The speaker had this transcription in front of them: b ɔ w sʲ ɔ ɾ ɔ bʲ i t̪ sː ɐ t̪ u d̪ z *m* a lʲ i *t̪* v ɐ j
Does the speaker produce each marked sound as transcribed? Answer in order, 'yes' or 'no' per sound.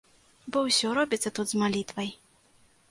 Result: yes, yes

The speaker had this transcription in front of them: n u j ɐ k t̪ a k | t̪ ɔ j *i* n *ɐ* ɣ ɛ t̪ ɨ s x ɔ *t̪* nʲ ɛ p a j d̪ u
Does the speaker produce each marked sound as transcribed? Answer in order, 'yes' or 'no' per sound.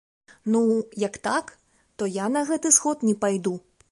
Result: no, yes, yes

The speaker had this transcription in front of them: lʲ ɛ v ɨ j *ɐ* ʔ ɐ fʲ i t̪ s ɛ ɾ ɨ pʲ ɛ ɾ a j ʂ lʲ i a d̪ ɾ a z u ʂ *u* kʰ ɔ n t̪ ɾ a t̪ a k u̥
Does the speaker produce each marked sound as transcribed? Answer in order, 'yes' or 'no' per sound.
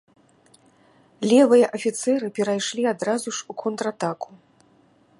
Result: yes, yes

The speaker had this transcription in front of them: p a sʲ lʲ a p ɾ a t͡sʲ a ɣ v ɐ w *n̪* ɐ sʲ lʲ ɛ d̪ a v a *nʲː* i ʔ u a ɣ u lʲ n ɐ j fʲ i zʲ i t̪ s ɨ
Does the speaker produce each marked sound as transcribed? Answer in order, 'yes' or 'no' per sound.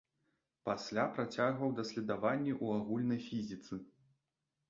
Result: no, yes

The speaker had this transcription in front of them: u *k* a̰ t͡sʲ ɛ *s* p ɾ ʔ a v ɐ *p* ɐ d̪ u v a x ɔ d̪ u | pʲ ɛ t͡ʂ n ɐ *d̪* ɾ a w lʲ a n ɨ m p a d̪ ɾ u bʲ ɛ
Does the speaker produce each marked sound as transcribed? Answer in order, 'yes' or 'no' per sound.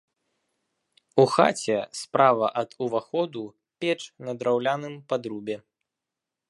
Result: no, yes, no, yes

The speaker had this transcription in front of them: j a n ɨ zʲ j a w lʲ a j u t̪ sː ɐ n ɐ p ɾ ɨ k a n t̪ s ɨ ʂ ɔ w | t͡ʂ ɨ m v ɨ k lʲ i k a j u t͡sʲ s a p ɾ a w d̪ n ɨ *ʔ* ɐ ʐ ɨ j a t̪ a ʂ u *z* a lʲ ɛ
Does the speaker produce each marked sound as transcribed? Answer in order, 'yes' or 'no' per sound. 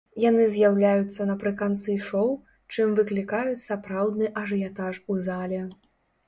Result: yes, yes

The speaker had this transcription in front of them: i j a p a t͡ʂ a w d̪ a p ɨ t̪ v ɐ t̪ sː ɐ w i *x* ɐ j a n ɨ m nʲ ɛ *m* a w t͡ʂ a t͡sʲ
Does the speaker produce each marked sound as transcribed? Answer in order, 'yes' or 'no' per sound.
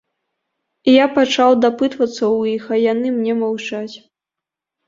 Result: yes, yes

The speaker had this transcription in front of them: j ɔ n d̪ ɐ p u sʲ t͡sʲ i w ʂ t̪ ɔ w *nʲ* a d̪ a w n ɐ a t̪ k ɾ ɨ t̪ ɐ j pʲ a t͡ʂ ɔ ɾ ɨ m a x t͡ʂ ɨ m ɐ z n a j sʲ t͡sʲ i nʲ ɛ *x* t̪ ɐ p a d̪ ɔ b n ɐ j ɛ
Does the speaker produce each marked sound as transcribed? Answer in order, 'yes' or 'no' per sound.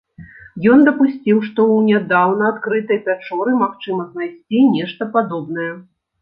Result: yes, no

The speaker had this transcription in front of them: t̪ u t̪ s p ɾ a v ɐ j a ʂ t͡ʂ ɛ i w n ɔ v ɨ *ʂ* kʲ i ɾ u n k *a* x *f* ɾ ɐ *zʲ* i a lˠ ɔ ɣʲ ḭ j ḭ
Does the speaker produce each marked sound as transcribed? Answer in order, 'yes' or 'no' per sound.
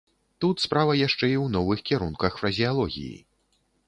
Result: no, no, yes, yes

